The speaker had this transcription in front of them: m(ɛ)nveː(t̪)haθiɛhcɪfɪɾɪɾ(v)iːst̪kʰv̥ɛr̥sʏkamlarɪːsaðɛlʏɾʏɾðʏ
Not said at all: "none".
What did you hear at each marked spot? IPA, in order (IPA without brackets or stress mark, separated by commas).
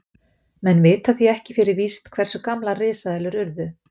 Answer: ɛ, t̪, v